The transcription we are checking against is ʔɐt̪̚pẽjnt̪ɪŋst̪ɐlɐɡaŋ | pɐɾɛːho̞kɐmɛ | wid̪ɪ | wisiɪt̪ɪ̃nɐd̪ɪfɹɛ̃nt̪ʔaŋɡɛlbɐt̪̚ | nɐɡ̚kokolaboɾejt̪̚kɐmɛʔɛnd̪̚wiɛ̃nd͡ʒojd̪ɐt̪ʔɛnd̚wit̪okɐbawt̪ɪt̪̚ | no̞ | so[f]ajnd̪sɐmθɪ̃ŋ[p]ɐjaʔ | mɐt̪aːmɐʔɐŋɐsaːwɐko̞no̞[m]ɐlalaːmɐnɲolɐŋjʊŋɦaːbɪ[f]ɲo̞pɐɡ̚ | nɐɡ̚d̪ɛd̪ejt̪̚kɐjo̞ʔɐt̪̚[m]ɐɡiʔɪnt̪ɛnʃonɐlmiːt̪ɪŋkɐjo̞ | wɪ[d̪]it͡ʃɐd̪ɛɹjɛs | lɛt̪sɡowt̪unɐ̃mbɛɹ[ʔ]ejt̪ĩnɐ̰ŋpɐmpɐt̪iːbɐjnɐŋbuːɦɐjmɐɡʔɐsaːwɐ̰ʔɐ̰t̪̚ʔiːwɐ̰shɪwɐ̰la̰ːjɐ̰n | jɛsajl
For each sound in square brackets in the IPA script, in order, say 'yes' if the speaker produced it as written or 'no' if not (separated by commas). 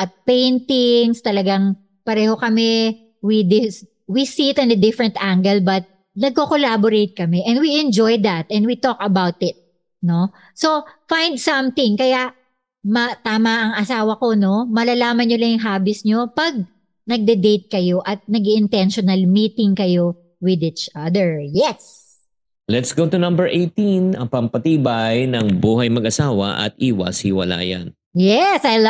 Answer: yes, no, yes, no, no, yes, yes